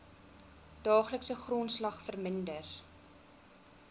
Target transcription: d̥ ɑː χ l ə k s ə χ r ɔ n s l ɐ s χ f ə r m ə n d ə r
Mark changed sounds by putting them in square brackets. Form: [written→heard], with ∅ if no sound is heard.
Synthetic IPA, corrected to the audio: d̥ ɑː χ l ə k s ə χ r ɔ n s l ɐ [s→∅] χ f ə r m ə n d ə r